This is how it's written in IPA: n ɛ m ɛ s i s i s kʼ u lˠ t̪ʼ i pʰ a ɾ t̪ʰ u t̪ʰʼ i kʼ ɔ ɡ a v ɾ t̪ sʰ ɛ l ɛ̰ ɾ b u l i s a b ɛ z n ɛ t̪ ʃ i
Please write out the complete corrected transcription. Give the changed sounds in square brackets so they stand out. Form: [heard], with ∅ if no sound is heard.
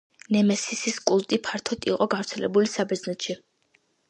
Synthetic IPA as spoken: n ɛ m ɛ s i s i s kʼ u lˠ t̪ʼ i pʰ a ɾ t̪ʰ [ɔ] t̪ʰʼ i [qʼ] ɔ ɡ a v ɾ t̪ sʰ ɛ l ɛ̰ [∅] b u l i s a b ɛ z n ɛ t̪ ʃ i